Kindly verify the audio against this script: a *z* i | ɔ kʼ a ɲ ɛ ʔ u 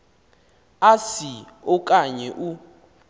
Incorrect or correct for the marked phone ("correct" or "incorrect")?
incorrect